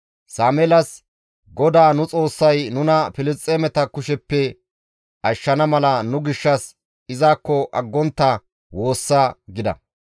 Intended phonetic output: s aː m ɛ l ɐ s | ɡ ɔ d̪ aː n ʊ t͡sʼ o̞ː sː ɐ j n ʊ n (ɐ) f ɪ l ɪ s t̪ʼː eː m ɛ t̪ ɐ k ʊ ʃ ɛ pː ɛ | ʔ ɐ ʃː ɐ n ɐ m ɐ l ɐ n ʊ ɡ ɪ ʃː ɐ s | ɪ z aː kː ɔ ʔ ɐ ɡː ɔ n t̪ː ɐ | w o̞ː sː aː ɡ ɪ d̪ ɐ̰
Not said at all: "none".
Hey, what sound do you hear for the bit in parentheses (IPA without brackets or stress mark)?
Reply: ɐ